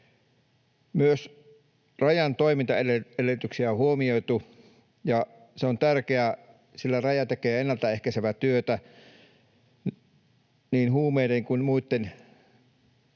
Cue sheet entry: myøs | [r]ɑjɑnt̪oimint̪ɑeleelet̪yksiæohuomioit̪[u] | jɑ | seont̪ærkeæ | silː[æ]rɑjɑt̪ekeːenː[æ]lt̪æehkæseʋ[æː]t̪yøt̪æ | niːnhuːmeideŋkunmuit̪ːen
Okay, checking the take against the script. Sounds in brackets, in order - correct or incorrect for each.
correct, correct, correct, correct, incorrect

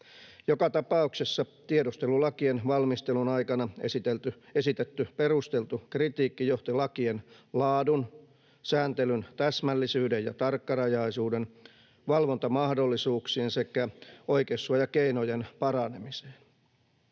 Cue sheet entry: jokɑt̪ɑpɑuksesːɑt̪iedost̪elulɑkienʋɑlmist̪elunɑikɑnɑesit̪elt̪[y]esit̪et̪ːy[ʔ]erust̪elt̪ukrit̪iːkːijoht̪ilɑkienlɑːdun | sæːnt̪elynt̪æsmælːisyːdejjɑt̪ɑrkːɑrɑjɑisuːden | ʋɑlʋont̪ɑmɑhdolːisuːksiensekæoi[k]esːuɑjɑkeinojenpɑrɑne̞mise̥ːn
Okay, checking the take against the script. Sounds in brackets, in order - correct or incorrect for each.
correct, incorrect, correct

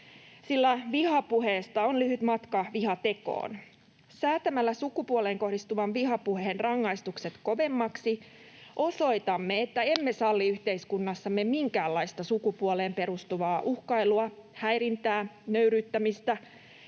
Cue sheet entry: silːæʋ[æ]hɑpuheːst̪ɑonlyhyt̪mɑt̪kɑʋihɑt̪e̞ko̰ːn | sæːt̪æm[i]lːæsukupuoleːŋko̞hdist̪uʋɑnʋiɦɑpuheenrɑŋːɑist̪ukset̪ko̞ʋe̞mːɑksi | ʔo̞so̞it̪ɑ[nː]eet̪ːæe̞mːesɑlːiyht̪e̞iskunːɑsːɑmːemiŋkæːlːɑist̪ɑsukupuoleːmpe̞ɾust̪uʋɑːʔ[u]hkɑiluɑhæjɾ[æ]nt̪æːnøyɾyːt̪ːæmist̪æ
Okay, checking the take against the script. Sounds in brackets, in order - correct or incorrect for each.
incorrect, incorrect, incorrect, correct, incorrect

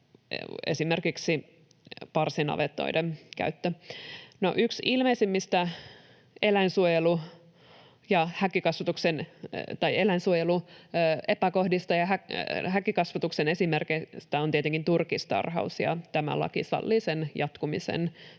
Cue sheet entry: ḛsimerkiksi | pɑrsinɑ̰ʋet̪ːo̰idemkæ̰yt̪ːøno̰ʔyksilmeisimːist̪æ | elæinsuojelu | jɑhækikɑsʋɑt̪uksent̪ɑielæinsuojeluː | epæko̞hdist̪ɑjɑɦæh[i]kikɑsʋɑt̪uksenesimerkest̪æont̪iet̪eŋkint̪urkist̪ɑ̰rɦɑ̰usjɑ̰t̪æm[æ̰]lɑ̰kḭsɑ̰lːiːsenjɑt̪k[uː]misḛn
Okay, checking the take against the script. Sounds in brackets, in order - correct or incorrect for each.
incorrect, correct, incorrect

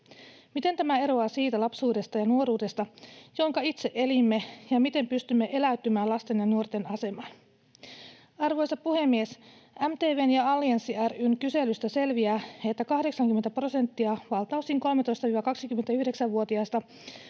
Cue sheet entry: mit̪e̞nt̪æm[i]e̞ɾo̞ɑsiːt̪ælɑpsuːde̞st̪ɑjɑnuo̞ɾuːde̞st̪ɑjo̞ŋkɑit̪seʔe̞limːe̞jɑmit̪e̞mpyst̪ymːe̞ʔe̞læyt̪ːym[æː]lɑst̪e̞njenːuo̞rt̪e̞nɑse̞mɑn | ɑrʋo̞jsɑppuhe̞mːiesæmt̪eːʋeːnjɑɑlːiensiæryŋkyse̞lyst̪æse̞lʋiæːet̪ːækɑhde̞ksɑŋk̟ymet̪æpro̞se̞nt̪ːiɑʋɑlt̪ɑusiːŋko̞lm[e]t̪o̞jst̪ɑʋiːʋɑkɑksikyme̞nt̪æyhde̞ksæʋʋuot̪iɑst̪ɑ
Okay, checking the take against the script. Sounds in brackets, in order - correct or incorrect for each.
incorrect, correct, correct

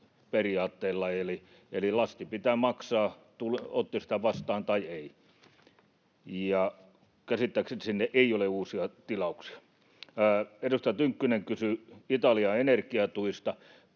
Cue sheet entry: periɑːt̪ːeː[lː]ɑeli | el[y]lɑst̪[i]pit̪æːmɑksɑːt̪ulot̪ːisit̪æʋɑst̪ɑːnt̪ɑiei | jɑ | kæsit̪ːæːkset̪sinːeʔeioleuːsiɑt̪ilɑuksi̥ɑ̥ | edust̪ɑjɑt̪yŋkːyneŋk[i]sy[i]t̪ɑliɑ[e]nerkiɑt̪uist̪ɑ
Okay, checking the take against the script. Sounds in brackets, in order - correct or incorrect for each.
correct, incorrect, correct, incorrect, correct, correct

